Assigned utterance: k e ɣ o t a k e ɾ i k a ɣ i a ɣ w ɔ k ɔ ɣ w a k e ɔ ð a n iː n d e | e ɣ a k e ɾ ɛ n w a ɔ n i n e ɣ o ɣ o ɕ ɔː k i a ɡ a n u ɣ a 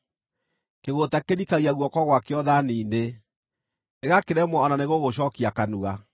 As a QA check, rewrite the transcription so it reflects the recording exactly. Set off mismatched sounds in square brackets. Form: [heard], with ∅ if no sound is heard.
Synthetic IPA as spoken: k e ɣ o t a k e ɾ i k a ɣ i a ɣ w ɔ k ɔ ɣ w a k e ɔ ð a n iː n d e | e ɣ a k e ɾ ɛ [m] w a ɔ n [a] n e ɣ o ɣ o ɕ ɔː k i a [k] a n u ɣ a